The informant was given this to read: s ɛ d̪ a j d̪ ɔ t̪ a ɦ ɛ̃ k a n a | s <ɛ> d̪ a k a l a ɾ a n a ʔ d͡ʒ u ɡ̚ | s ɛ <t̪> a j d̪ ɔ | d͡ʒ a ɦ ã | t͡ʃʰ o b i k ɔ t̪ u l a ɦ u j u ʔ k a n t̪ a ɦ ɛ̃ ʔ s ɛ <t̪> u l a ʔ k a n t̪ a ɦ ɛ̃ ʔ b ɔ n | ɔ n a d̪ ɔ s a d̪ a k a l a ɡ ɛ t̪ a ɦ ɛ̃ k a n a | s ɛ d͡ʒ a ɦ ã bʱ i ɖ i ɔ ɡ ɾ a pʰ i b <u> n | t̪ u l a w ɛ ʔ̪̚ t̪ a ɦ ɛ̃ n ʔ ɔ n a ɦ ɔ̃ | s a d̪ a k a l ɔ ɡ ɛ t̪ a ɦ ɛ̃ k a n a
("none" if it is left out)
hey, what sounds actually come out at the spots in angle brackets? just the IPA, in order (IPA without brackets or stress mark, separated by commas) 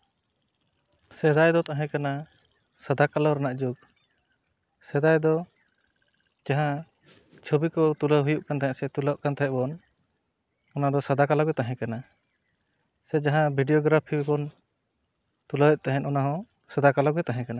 a, d̪, t̪, ɔ